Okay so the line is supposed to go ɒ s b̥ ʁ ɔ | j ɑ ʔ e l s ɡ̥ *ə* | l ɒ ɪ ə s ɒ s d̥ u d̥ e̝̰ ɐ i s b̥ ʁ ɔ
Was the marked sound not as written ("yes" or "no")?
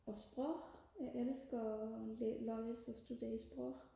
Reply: yes